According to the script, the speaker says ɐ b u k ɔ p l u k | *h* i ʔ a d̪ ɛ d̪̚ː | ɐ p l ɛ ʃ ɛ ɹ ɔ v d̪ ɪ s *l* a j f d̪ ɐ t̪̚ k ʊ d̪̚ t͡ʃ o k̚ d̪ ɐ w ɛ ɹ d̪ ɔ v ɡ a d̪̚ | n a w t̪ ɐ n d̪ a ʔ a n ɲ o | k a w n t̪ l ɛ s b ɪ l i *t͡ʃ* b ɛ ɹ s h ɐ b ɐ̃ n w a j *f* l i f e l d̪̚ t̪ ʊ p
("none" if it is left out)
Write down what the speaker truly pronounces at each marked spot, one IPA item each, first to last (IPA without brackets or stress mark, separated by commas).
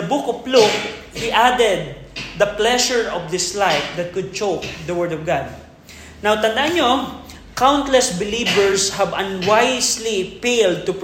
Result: h, l, none, s